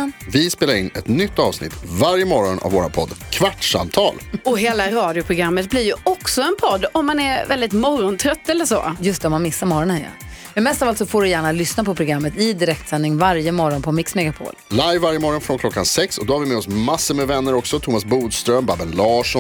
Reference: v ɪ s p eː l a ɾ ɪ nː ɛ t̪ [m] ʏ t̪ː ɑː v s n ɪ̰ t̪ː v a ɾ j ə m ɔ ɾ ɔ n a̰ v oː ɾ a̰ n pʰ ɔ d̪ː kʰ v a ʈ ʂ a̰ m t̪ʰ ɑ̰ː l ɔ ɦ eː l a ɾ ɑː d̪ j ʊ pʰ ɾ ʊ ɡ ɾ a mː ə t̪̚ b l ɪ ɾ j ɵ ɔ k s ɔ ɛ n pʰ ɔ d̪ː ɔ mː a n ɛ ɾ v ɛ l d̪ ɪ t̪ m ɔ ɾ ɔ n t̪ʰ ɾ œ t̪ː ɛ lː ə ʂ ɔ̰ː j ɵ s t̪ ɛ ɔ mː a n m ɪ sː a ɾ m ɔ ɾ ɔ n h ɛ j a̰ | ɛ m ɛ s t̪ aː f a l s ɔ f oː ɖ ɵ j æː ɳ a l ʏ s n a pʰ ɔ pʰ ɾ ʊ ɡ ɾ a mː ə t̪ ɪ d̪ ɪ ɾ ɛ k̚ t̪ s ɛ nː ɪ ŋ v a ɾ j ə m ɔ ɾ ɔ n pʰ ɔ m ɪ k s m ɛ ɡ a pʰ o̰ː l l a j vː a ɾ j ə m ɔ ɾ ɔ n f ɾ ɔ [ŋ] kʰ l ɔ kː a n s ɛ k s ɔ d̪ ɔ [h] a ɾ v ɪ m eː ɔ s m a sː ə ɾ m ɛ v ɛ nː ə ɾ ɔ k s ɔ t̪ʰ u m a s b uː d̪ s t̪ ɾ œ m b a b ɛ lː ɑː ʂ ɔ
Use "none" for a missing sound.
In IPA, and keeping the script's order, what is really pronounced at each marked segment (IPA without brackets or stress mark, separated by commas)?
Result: n, n, h